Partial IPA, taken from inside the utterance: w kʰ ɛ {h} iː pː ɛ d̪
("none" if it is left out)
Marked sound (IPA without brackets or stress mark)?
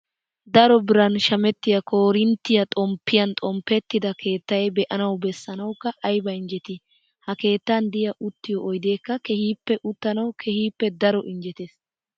h